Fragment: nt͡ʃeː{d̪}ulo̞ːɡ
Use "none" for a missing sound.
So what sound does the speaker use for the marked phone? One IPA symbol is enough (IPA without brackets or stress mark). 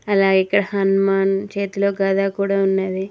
t̪